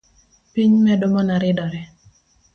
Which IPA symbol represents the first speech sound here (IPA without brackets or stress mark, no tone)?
p